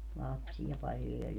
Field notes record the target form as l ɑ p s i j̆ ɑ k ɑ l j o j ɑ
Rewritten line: l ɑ p s i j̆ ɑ p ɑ l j o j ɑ

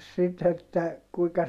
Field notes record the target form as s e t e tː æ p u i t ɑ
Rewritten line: s i t e tː æ k u i k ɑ

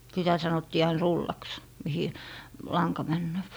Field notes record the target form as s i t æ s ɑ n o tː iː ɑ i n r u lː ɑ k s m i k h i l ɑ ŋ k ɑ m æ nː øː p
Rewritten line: s i t æ s ɑ n o tː iː ɑ i n r u lː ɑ k s m i h i l ɑ ŋ k ɑ m æ nː øː p

